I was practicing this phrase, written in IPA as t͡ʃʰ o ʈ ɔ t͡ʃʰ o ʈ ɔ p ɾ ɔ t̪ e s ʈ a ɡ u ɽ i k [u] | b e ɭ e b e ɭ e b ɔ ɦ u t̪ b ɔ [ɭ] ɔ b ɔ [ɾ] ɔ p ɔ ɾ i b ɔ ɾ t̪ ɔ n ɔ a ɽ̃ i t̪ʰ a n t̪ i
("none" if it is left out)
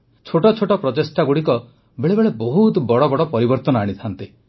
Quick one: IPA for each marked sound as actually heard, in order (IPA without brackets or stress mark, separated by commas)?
ɔ, ɽ, ɽ